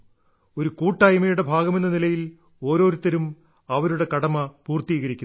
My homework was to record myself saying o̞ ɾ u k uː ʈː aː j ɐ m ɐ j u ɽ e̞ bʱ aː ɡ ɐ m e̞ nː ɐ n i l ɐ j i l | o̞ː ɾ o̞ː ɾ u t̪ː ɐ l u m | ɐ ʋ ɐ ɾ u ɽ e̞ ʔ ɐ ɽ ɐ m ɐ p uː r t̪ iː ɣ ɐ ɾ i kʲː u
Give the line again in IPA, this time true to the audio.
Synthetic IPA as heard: o̞ ɾ u k uː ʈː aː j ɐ m ɐ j u ɽ e̞ bʱ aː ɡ ɐ m e̞ nː ɐ n i l ɐ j i l | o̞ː ɾ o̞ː ɾ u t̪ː ɐ ɾ u m | ɐ ʋ ɐ ɾ u ɽ e̞ k ɐ ɽ ɐ m ɐ p uː r t̪ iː ɣ ɐ ɾ i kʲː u